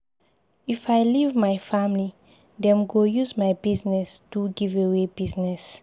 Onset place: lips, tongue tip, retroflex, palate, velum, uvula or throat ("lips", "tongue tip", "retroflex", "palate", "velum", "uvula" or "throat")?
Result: lips